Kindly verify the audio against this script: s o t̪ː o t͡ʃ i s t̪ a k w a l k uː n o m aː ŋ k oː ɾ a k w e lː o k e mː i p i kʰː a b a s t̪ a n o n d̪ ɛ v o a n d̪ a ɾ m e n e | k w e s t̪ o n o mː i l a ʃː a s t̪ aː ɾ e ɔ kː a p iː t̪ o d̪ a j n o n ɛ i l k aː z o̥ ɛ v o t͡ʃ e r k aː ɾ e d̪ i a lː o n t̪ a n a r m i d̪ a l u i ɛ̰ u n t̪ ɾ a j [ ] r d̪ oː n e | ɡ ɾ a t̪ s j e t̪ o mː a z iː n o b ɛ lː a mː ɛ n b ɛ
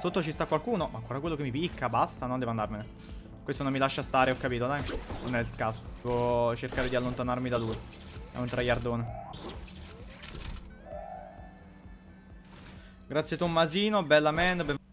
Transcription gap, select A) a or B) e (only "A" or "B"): A